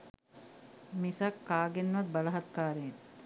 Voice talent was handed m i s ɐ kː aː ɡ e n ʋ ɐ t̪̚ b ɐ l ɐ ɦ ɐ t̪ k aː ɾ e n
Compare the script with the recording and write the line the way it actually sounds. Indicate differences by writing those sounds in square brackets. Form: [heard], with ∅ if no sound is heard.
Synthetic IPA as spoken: m i s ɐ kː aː ɡ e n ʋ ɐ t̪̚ b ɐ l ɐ ɦ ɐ t̪ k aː ɾ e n